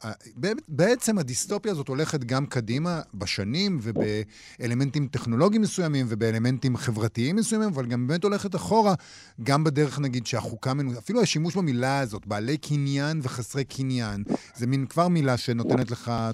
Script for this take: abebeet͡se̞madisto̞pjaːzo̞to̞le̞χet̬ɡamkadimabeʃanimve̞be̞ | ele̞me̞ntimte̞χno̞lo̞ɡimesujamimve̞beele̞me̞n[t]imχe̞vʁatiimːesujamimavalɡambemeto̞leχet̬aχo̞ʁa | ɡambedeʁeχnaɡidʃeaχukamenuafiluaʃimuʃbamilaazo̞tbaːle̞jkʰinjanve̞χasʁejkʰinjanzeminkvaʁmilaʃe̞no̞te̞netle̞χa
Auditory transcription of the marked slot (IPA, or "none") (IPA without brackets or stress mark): t